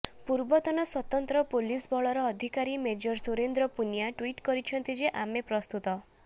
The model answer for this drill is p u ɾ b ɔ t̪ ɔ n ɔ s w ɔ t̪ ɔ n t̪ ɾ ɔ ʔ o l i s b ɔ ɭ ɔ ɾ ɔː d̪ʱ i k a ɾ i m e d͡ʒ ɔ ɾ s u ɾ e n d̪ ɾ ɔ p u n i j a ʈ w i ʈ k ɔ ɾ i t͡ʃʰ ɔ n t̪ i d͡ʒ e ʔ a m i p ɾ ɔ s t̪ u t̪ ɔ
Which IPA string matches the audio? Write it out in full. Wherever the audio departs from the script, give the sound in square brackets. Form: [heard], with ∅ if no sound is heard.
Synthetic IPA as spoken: p u ɾ b ɔ t̪ ɔ n ɔ s w ɔ t̪ ɔ n t̪ ɾ ɔ [p] o l i s b ɔ ɭ ɔ ɾ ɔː d̪ʱ i k a ɾ i m e d͡ʒ ɔ ɾ s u ɾ e n d̪ ɾ ɔ p u n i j a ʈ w i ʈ k ɔ ɾ i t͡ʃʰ ɔ n t̪ i d͡ʒ e ʔ a m [e] p ɾ ɔ s t̪ u t̪ ɔ